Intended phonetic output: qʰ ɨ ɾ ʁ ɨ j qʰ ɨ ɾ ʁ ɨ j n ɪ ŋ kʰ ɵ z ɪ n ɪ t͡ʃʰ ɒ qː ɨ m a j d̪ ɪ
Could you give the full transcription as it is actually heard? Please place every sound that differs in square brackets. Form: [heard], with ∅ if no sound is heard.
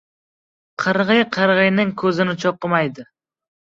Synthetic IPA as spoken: qʰ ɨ ɾ ʁ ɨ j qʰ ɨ ɾ ʁ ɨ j n ɪ ŋ kʰ ɵ z ɪ n ɪ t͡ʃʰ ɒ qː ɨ m a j d̪ ɪ